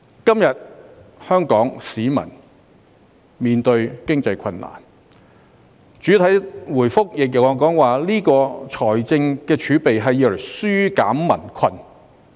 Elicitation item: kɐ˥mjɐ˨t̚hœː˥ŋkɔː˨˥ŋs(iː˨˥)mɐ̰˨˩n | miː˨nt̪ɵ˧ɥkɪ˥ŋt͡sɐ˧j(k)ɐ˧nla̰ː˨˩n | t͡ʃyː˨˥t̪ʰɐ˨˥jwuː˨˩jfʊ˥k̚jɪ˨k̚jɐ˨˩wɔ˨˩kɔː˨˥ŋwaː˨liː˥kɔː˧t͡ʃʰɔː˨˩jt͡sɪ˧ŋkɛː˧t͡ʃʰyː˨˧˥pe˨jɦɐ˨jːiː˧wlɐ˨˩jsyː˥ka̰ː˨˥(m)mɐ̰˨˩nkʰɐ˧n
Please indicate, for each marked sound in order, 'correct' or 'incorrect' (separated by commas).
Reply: correct, incorrect, correct